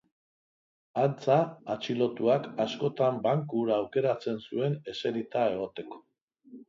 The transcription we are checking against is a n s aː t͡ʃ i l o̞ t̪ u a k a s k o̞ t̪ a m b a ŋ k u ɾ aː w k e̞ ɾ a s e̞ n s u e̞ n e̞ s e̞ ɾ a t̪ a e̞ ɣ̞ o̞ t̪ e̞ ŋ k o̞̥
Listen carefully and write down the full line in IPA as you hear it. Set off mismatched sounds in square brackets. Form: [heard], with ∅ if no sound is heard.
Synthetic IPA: a n [t͡s] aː t͡ʃ i l o̞ t̪ u a k a s k o̞ t̪ a m b a ŋ k u ɾ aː w k e̞ ɾ a [t͡s] e̞ n s u e̞ n e̞ s e̞ ɾ [i] t̪ a e̞ ɣ̞ o̞ t̪ e̞ [∅] k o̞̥